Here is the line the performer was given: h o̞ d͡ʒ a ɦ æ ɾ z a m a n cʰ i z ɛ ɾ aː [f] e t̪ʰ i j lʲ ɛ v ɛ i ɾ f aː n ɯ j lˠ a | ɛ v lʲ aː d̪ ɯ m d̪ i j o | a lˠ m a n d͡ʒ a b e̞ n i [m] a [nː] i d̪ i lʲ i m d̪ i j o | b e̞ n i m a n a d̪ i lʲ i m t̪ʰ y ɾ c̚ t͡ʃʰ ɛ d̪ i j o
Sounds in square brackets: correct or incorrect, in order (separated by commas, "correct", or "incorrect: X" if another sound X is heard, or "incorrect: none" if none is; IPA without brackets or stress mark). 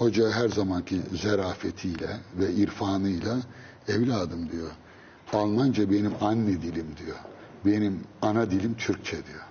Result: correct, correct, correct